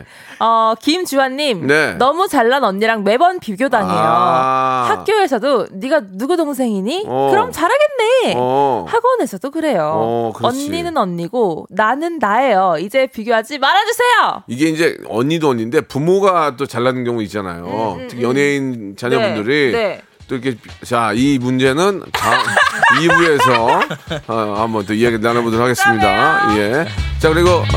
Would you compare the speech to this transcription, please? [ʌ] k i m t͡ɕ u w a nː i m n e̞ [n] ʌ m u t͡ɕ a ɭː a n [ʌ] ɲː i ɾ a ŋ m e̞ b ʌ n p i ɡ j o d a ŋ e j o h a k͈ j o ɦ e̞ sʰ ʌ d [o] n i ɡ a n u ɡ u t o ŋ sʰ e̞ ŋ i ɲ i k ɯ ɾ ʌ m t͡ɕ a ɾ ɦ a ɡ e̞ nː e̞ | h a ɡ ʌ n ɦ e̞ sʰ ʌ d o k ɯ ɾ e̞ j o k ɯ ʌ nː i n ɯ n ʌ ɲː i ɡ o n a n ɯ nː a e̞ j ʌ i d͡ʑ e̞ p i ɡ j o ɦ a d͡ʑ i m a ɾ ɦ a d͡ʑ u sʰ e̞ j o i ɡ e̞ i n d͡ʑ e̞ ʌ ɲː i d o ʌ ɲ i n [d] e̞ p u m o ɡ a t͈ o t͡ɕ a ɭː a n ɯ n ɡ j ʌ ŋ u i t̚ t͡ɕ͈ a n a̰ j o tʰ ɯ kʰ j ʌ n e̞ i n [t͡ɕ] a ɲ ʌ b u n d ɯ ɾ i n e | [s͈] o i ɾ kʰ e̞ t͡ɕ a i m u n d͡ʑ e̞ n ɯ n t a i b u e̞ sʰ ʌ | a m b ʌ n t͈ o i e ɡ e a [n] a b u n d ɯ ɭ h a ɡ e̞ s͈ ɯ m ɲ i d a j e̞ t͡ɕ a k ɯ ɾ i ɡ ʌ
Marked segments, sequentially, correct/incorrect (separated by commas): correct, correct, correct, correct, correct, correct, incorrect, correct